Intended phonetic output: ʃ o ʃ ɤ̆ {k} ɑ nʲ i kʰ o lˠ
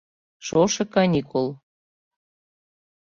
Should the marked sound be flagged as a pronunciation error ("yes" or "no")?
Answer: no